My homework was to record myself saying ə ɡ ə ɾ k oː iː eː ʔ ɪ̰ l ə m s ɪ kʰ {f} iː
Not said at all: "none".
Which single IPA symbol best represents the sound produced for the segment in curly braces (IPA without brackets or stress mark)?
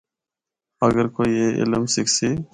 s